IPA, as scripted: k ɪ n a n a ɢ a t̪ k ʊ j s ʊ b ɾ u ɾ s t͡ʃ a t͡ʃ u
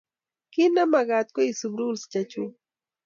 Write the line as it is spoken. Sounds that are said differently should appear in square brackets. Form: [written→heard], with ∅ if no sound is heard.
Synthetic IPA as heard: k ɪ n a [n→m] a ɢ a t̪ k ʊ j s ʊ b ɾ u [ɾ→l] s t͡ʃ a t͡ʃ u